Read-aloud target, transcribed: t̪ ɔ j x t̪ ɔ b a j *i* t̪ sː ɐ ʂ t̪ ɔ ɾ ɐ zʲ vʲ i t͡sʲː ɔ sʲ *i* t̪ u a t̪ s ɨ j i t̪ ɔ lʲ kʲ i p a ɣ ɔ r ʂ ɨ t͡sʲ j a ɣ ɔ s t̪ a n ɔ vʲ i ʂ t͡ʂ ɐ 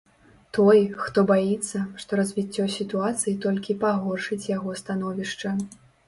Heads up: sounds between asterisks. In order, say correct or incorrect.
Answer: correct, correct

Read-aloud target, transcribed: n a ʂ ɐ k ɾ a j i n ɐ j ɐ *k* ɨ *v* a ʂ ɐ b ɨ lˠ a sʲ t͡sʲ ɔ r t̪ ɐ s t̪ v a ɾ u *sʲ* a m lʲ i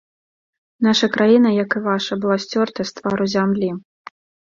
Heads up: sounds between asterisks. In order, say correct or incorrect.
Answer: correct, correct, incorrect

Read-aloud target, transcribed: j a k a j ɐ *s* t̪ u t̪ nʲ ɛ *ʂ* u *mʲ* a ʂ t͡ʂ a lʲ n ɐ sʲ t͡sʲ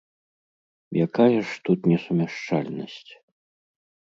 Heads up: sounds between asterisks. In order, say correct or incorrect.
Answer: incorrect, incorrect, correct

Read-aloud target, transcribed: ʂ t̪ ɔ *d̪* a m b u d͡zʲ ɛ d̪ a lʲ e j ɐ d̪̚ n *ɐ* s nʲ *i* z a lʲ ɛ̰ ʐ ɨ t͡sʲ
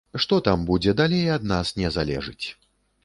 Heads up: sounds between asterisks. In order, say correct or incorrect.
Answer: incorrect, incorrect, incorrect

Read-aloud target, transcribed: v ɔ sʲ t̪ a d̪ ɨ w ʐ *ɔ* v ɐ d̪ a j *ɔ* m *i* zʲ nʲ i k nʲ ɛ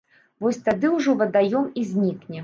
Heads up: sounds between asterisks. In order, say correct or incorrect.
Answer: correct, correct, correct

